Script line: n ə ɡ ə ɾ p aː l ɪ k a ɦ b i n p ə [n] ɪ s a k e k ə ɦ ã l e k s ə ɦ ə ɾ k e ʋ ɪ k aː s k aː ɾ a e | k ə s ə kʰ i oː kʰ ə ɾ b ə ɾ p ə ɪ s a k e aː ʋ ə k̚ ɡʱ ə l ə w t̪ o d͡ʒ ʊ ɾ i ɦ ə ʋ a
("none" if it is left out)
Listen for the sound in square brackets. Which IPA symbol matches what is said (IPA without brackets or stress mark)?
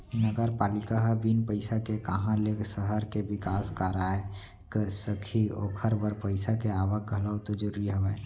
none